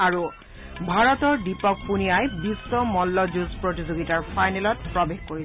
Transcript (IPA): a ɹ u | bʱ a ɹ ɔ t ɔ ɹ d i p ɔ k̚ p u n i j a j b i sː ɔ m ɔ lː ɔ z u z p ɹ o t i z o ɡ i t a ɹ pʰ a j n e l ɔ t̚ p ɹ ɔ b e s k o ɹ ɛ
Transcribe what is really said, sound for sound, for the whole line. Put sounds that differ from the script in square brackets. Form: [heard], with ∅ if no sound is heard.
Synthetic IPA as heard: a ɹ u | bʱ a ɹ ɔ t ɔ ɹ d i p ɔ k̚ p u n i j a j b i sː ɔ m ɔ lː ɔ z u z p ɹ o t i z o ɡ i t a ɹ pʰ a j n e l ɔ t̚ p ɹ ɔ b e [x] k o ɹ [i]